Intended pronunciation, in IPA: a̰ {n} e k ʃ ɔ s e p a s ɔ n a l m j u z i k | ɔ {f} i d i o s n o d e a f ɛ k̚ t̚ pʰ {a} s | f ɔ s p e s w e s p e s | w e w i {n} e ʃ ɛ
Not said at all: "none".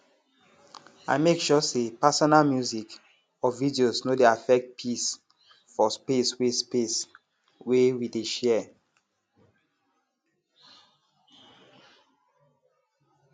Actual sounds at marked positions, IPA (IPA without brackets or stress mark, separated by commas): m, v, i, d